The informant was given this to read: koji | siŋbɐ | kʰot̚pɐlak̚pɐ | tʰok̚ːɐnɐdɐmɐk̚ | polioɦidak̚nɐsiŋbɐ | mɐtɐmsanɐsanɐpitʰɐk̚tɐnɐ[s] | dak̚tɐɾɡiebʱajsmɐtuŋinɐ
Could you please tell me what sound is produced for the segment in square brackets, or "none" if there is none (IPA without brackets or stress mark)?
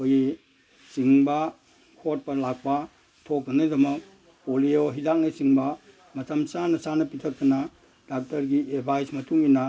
none